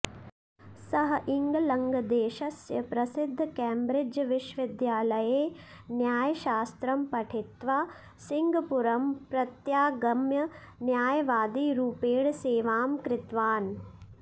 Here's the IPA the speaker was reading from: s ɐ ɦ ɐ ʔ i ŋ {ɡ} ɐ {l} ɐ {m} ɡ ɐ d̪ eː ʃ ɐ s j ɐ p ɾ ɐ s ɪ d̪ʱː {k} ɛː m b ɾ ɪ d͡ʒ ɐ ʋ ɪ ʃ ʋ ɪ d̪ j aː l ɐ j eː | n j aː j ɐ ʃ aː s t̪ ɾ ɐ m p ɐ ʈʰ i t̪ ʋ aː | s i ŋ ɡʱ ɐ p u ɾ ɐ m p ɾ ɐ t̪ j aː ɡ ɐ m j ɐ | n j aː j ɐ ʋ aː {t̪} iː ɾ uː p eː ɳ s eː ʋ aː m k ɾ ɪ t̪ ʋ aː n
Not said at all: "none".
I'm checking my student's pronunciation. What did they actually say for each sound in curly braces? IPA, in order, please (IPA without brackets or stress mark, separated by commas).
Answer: ɡ, l, ŋ, k, d̪